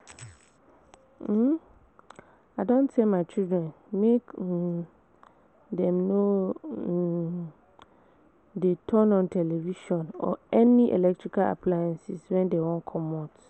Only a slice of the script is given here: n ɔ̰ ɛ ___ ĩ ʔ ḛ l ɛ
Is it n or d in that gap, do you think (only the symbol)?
n